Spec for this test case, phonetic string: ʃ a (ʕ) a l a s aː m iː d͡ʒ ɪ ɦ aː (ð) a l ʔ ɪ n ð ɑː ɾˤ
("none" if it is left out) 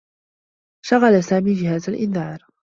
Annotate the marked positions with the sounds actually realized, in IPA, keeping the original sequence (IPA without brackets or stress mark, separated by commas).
ɣ, z